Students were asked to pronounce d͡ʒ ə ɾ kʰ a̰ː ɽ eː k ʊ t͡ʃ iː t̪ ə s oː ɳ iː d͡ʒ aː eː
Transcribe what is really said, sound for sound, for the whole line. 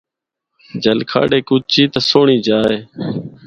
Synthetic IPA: d͡ʒ ə l kʰ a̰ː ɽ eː k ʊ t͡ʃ iː t̪ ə s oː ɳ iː d͡ʒ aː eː